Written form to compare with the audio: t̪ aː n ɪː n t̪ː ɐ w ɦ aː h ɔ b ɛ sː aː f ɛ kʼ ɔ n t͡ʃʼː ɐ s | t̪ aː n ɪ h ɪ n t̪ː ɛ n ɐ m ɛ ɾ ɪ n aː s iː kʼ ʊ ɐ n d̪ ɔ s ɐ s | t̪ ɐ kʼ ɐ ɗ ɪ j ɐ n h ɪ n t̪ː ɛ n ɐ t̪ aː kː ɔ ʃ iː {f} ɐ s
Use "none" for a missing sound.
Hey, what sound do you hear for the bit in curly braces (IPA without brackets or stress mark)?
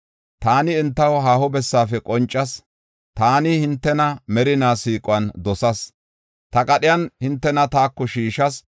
ʃ